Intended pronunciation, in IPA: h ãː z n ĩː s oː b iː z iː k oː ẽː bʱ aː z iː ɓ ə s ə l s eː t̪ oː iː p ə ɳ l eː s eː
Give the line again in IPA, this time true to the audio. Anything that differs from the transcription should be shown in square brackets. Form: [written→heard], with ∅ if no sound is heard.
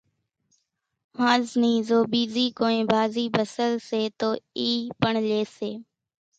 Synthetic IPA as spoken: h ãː z n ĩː [s→z] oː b iː z iː k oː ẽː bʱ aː z iː [ɓ→b] ə s ə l s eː t̪ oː iː p ə ɳ l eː s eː